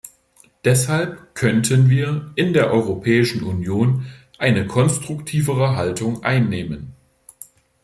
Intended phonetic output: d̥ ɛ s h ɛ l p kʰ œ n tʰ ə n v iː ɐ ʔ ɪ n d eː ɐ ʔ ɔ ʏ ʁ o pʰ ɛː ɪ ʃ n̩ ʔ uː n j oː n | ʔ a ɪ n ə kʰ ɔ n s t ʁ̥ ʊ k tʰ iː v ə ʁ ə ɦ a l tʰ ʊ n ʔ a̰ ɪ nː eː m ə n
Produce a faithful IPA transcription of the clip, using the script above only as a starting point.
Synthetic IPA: d̥ ɛ s h a l p kʰ œ n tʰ ə n v iː ɐ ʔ ɪ n d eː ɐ ʔ ɔ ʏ ʁ o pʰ ɛː ɪ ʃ n̩ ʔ u n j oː n | ʔ a ɪ n ə kʰ ɔ n s t ʁ̥ ʊ k tʰ iː v ə ʁ ə ɦ a l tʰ ʊ ŋ ʔ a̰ ɪ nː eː m ə n